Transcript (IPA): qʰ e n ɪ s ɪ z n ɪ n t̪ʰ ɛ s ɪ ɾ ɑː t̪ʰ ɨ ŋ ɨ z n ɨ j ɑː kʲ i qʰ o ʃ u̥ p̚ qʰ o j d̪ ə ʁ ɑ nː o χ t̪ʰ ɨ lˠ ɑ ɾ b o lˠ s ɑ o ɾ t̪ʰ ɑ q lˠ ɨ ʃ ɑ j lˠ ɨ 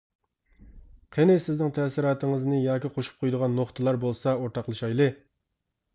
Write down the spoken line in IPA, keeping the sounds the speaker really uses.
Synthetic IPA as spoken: qʰ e n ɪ s ɪ z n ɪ ŋ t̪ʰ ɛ s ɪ ɾ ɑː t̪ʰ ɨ ŋ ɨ z n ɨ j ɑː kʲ i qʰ o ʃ u̥ p̚ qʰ o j d̪ ə ʁ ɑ nː o χ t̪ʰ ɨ lˠ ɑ ɾ b o lˠ s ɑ o ɾ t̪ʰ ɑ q lˠ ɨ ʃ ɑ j lˠ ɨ